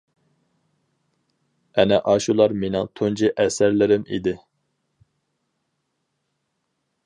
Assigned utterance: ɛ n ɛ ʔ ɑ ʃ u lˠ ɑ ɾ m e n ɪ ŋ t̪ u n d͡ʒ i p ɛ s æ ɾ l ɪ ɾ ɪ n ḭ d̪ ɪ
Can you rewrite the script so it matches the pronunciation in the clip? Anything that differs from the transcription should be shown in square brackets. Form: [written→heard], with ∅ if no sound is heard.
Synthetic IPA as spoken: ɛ n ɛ ʔ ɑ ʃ u lˠ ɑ ɾ m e n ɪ ŋ [t̪→t̪ʰ] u n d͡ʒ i [p→ʔ] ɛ s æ ɾ l ɪ ɾ ɪ [n→m] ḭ d̪ ɪ